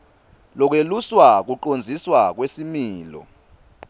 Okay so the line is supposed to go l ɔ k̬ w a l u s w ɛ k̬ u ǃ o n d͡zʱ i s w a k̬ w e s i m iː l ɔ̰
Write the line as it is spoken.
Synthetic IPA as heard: l ɔ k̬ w e l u s w a k̬ u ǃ o n d͡zʱ i s w a k̬ w e s i m iː l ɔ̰